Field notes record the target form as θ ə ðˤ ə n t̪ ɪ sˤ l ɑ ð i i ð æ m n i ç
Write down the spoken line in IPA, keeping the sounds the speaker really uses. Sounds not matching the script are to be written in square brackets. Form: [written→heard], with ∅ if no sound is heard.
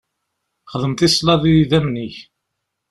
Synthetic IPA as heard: [θ→χ] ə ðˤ ə [n→m] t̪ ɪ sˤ l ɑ ð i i ð æ m n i ç